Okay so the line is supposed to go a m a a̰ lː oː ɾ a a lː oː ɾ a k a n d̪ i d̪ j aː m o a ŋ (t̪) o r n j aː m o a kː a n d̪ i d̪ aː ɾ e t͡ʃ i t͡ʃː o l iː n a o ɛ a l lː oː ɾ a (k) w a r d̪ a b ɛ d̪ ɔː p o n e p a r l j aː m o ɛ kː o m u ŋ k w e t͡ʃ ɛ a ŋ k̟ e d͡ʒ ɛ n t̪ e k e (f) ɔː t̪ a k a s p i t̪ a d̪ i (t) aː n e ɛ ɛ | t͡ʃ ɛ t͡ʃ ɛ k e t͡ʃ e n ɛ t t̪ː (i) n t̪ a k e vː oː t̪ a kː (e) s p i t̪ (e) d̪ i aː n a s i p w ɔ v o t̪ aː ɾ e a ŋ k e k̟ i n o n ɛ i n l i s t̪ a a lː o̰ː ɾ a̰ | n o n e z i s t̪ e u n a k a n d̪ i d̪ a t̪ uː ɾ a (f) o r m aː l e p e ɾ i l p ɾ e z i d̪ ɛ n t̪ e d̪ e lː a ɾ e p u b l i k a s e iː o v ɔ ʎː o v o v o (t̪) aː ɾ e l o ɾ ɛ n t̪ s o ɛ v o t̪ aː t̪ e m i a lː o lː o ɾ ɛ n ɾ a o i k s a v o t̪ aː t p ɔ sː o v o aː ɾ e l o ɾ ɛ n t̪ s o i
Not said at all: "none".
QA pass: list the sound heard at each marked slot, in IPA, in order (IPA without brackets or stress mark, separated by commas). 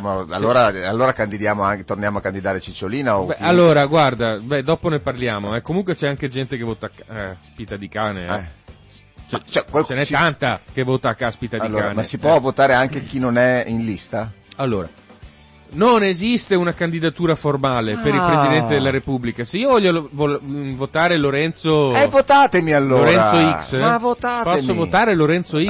t̪, ɡ, v, k, a, a, a, f, t̪